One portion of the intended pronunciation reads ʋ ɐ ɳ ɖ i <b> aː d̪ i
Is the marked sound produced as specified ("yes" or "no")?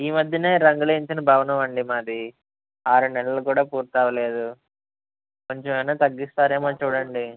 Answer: no